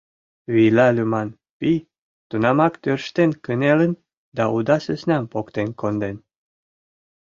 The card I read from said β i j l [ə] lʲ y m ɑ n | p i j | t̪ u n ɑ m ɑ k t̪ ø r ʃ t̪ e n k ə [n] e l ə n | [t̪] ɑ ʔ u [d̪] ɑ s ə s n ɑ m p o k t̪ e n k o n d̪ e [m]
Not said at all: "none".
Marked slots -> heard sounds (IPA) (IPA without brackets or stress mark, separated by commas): ɑ, n, d̪, d̪, n